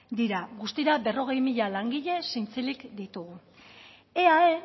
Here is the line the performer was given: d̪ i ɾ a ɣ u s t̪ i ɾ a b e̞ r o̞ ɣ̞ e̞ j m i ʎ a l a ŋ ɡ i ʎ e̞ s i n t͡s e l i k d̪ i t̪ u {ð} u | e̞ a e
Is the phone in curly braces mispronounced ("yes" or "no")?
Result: yes